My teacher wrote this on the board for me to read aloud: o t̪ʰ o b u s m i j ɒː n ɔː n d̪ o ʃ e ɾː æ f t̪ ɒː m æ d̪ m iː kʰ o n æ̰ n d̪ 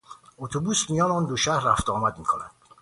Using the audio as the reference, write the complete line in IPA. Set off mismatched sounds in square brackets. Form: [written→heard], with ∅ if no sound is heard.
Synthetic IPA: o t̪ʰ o b u s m i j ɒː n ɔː n d̪ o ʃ [e→æ] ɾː æ f t̪ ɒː m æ d̪ m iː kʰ o n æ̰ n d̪